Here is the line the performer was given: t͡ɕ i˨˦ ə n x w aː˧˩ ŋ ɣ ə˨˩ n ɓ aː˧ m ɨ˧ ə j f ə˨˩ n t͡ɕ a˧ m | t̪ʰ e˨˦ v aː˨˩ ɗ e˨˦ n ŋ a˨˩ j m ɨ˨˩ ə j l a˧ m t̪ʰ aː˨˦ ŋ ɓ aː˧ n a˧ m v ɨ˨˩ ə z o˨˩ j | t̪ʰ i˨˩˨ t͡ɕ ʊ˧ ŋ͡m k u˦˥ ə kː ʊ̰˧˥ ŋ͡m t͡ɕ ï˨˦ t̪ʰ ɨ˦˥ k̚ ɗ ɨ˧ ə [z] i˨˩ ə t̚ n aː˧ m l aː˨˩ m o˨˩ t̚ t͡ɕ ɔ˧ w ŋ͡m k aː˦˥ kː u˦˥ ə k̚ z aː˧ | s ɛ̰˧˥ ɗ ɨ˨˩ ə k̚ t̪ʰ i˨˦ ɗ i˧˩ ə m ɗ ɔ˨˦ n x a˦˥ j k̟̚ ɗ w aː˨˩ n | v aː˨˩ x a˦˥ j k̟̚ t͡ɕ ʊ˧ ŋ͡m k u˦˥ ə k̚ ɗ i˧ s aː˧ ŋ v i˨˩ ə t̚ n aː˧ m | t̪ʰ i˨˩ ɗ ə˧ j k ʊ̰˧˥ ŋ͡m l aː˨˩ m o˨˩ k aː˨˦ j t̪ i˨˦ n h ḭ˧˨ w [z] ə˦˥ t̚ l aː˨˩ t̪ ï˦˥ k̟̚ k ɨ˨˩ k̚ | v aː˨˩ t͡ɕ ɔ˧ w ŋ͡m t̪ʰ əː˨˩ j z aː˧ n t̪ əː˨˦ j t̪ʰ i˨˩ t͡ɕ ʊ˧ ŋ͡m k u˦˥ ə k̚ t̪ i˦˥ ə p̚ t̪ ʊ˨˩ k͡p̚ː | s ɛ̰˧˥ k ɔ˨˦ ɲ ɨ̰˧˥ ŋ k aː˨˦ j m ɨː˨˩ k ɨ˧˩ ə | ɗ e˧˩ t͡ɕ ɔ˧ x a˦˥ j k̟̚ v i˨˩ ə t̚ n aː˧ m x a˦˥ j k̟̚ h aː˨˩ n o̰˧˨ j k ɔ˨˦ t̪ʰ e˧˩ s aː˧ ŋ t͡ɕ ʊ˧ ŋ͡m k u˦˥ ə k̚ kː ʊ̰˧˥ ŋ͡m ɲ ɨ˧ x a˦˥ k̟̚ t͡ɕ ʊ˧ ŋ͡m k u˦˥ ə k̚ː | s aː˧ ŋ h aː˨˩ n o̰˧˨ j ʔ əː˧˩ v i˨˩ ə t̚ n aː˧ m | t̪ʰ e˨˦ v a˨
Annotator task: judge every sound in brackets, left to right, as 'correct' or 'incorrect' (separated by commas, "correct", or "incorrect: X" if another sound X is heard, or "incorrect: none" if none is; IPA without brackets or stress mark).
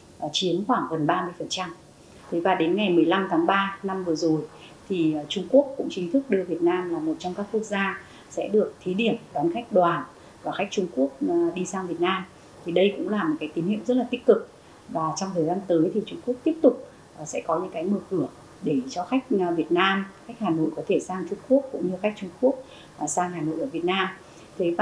incorrect: v, correct